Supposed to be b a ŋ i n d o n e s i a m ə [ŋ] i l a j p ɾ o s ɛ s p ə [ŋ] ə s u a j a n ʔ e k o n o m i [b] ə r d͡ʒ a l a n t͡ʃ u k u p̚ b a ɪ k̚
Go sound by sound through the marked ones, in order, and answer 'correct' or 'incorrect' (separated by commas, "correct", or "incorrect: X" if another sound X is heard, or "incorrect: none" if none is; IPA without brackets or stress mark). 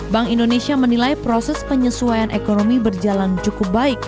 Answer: incorrect: n, incorrect: ɲ, correct